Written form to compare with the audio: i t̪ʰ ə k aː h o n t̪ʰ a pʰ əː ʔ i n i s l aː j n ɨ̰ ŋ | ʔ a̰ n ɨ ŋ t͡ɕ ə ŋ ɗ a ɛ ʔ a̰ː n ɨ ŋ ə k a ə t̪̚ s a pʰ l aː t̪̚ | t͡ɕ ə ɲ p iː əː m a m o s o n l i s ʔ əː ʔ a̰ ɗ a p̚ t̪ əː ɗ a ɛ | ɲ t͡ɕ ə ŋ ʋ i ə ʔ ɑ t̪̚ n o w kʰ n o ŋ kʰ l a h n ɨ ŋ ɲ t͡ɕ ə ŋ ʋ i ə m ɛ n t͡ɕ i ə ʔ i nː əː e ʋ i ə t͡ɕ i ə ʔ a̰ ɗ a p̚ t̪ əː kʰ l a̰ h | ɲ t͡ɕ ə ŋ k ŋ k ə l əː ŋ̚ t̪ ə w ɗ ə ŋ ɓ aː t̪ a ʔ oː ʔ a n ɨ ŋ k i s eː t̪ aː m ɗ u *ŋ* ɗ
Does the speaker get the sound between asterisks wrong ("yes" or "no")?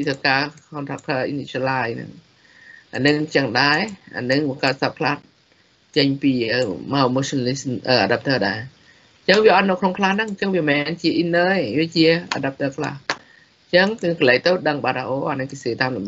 yes